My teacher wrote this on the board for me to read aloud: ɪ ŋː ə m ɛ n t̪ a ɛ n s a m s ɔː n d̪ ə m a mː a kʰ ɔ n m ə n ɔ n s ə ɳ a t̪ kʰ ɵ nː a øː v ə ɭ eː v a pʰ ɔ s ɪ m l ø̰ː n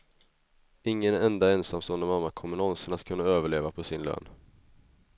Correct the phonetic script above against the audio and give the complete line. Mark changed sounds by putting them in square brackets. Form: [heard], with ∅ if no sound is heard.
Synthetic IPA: ɪ ŋː ə [n] ɛ n [d̪] a ɛ n s a m s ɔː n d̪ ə m a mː a kʰ ɔ [∅] m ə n ɔ n s ə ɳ a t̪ kʰ ɵ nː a øː v ə ɭ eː v a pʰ ɔ s ɪ [n] l ø̰ː n